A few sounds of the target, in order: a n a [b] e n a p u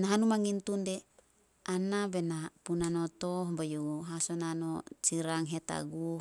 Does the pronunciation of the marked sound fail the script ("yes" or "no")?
no